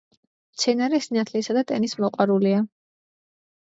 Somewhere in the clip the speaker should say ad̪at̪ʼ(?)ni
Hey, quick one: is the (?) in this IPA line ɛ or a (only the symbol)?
ɛ